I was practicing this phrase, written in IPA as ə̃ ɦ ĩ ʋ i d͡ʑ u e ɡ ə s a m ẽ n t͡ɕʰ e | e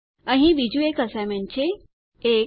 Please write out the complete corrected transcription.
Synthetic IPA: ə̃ ɦ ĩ ʋ i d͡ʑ u e k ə s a m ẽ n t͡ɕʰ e | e

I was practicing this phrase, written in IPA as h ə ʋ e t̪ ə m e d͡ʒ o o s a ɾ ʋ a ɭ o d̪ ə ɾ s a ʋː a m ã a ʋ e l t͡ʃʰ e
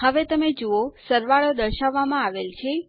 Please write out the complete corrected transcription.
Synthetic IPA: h ə ʋ e t̪ ə m e d͡ʒ o o s ə ɾ ʋ a ɭ o d̪ ə ɾ ʃ a ʋː a m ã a ʋ e l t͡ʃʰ e

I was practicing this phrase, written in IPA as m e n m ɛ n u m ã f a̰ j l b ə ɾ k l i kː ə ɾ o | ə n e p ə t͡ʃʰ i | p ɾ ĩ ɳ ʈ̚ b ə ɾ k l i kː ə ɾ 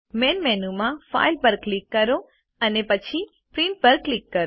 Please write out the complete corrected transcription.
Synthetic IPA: m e n m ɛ n u m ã f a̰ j l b ə ɾ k l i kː ə ɾ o | ə n e p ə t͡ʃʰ i | p ɾ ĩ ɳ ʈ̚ b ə ɾ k l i kː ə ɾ

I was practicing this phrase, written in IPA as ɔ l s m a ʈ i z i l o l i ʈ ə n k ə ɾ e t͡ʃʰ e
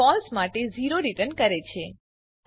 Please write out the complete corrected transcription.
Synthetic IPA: ɔ l s m a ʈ e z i ɾ o ɾ i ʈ ə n k ə ɾ e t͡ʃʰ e

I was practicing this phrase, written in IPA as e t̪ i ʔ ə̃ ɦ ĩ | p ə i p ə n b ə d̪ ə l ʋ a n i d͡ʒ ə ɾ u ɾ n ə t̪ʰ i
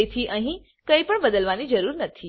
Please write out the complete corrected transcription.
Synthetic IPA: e t̪ʰ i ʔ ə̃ ɦ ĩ | k ə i p ə ɳ b ə d̪ ə l ʋ a n i d͡ʒ ə ɾ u ɾ n ə t̪ʰ i

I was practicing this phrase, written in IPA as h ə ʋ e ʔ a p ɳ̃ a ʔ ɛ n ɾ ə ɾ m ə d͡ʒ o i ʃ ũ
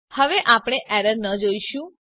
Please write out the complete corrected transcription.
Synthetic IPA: h ə ʋ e ʔ a p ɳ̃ e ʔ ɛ ɾ ə ɾ n ə d͡ʒ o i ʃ ũ

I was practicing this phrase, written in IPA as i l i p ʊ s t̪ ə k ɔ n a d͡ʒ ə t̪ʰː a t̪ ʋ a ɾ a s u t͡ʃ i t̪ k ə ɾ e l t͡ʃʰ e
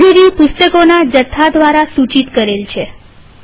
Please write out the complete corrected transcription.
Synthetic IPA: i ɾ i p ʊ s t̪ ə k o n a d͡ʒ ə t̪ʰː a d̪ ʋ a ɾ a s u t͡ʃ i t̪ k ə ɾ e l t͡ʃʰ e

